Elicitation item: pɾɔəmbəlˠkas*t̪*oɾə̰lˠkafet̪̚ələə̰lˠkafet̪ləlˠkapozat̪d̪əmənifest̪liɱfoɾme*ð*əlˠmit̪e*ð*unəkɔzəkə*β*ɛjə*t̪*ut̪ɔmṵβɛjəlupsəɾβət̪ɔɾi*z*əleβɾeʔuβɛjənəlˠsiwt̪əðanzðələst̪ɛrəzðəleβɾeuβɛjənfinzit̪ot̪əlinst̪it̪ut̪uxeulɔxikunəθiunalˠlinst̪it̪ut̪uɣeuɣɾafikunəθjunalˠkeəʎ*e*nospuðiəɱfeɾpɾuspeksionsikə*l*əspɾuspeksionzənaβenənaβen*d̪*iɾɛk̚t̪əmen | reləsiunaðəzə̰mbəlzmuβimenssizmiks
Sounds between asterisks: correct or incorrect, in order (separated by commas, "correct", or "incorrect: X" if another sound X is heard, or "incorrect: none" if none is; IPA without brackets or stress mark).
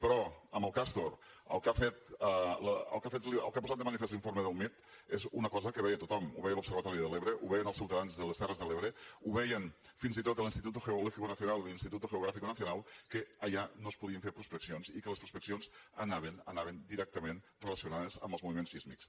correct, correct, incorrect: z, correct, correct, incorrect: ð, incorrect: a, correct, correct